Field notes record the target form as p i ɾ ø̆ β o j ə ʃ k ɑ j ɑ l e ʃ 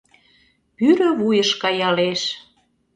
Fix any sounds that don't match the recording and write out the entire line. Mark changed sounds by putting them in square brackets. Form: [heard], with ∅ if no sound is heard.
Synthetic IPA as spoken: p [y] ɾ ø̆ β [u] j ə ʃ k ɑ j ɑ l e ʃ